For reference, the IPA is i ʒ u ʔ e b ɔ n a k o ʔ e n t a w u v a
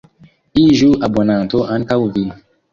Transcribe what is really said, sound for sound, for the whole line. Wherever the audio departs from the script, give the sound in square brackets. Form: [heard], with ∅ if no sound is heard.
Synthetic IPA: i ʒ u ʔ [a] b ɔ n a [t] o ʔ [a] n [k] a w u v [i]